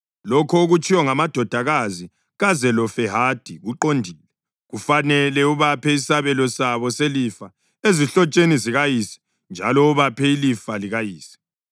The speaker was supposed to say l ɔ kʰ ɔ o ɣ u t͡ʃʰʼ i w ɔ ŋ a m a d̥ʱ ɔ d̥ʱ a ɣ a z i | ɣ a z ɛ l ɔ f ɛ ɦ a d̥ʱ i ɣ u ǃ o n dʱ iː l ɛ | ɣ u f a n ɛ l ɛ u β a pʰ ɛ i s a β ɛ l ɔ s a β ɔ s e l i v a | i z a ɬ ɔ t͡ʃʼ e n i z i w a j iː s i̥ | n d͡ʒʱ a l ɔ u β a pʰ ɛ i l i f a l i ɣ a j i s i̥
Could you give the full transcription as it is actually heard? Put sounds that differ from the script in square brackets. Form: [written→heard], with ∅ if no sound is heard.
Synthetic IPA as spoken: l ɔ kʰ ɔ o ɣ u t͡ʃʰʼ i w ɔ ŋ a m a d̥ʱ ɔ d̥ʱ a ɣ a z i | ɣ a z ɛ l ɔ f ɛ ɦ a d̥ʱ i ɣ u ǃ o n dʱ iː l ɛ | ɣ u f a n ɛ l ɛ u β a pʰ ɛ i s a β ɛ l ɔ s a β ɔ s e l i [v→f] a | [i→e] z [a→i] ɬ ɔ t͡ʃʼ e n i z i [w→ɣ] a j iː s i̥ | n d͡ʒʱ a l ɔ u β a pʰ ɛ i l i f a l i ɣ a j [i→iː] s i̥